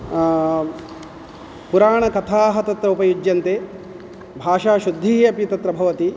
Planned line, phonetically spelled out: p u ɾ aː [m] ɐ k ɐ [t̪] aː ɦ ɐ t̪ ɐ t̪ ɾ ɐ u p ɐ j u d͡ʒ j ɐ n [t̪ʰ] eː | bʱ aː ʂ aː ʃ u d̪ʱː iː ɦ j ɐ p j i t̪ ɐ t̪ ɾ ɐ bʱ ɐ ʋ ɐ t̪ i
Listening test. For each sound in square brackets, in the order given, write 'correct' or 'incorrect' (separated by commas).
incorrect, incorrect, incorrect